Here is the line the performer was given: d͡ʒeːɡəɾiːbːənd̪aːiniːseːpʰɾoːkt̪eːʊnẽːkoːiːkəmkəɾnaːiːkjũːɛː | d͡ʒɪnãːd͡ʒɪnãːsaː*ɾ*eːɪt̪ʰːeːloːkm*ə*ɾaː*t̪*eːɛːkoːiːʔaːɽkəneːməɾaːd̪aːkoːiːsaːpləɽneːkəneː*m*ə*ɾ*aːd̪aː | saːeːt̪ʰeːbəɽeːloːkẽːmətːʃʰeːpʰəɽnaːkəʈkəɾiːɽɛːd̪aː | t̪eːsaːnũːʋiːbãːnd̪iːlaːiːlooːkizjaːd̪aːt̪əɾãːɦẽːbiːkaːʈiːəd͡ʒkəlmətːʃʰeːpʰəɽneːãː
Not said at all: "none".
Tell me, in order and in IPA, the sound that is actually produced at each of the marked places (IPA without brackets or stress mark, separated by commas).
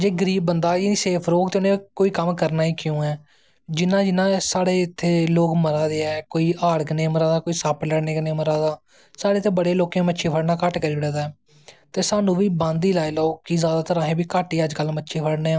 ɽ, ə, d̪, m, ɾ